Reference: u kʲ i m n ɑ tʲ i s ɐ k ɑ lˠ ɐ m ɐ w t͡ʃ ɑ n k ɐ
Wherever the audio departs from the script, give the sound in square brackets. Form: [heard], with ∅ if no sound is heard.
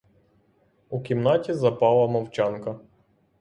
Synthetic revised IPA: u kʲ i m n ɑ tʲ i [z] ɐ [p] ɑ lˠ ɐ m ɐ w t͡ʃ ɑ n k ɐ